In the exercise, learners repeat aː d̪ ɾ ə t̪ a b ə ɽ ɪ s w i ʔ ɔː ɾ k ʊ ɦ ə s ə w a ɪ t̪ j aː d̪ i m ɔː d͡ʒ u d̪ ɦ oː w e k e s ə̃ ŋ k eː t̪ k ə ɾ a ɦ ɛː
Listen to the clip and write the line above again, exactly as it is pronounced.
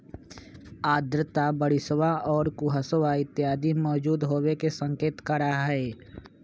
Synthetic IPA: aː d̪ ɾ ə t̪ a b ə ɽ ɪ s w a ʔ ɔː ɾ k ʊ ɦ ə s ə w a ɪ t̪ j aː d̪ i m ɔː d͡ʒ uː d̪ ɦ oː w e k e s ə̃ ŋ k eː t̪ k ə ɾ a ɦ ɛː